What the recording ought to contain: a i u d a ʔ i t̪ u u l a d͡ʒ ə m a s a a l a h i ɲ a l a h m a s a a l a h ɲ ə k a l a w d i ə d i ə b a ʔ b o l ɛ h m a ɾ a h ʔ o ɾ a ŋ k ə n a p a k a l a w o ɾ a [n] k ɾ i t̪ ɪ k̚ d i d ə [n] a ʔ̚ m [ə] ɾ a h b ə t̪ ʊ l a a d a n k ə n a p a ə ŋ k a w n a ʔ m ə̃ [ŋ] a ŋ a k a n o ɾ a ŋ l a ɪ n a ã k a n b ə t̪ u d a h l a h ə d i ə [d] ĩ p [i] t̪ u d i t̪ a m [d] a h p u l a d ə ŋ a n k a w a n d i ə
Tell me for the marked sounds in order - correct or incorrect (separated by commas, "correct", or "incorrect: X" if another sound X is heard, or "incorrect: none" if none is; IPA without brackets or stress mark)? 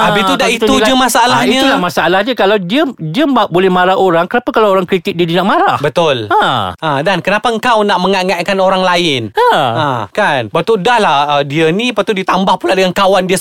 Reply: incorrect: ŋ, correct, incorrect: a, correct, incorrect: n, incorrect: a, incorrect: b